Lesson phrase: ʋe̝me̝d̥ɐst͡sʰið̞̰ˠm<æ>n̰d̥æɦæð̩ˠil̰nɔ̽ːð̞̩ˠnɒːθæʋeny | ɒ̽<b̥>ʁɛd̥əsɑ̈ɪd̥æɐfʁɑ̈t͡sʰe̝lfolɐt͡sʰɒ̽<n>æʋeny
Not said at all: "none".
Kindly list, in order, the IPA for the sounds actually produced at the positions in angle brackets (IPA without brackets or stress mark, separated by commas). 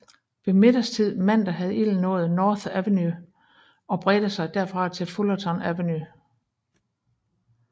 æ, b̥, n